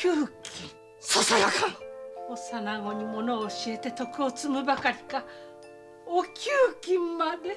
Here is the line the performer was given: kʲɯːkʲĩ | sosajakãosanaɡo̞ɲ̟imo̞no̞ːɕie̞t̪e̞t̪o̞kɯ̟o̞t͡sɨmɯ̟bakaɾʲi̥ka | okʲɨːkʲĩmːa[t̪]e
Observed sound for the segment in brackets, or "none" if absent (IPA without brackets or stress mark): d̪